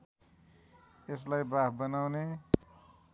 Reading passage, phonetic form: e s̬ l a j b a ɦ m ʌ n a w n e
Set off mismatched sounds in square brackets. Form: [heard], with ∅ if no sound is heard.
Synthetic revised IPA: e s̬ l a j b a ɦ [b] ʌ n a w n e